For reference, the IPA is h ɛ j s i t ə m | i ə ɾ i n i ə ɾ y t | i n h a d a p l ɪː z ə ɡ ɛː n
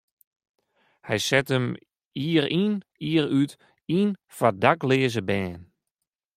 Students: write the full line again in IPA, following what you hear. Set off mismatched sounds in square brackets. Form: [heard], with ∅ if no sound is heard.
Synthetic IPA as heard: h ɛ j s [ɛ] t ə m | i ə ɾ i n i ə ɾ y t | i n [f] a d a [k] l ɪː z ə [b] ɛː n